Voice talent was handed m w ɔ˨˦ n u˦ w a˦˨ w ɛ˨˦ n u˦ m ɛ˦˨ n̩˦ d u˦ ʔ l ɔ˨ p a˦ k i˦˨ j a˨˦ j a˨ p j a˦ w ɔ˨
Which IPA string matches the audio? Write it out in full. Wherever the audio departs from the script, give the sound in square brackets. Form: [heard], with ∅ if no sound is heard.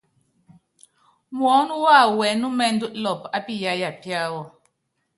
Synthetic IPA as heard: m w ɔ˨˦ n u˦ w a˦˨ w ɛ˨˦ n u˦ m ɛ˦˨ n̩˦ d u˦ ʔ l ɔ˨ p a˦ [p] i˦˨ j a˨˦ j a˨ p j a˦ w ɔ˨